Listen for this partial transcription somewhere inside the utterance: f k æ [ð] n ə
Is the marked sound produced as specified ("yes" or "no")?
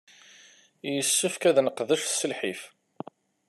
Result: yes